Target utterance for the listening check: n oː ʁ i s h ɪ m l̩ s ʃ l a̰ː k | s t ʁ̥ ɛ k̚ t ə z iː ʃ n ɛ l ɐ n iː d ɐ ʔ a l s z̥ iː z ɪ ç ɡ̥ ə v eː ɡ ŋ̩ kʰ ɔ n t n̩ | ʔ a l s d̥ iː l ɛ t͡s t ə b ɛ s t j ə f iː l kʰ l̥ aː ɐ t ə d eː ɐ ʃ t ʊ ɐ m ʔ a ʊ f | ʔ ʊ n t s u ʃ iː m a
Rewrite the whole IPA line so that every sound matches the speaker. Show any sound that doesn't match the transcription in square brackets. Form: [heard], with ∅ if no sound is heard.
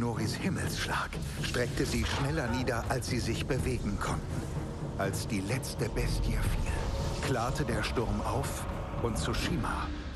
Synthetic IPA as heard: n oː ʁ i s h ɪ m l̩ s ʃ l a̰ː k | [ʃ] t ʁ̥ ɛ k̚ t ə z iː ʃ n ɛ l ɐ n iː d ɐ ʔ a l s z̥ iː z ɪ ç [b̥] ə v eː ɡ ŋ̩ kʰ ɔ n t n̩ | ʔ a l s d̥ iː l ɛ t͡s t ə b ɛ s t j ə f iː l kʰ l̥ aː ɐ t ə d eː ɐ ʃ t ʊ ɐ m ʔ a ʊ f | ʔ ʊ n t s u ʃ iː m a